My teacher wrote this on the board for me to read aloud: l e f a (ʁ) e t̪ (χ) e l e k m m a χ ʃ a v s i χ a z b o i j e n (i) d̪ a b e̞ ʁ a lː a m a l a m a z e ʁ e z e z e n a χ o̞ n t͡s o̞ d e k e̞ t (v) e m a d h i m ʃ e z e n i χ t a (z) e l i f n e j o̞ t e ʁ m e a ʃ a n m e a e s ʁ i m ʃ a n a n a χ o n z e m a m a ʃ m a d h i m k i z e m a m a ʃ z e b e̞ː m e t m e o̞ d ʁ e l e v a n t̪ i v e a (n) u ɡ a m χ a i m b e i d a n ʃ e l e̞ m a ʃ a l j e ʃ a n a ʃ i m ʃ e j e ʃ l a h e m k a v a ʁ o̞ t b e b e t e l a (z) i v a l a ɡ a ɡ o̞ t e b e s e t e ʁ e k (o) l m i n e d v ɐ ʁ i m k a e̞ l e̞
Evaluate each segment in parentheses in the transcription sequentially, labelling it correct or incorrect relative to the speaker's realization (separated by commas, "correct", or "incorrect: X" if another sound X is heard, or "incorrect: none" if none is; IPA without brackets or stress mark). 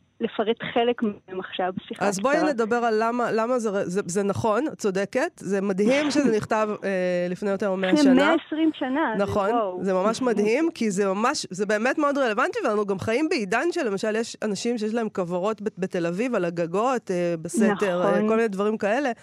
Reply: correct, correct, incorrect: e, incorrect: z, incorrect: v, correct, incorrect: v, correct